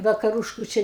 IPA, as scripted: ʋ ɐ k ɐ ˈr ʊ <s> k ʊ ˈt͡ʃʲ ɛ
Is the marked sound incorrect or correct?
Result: incorrect